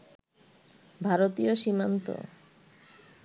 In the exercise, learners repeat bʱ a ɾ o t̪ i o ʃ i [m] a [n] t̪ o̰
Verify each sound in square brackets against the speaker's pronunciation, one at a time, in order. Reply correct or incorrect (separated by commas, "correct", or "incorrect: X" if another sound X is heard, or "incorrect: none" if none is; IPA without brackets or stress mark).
correct, correct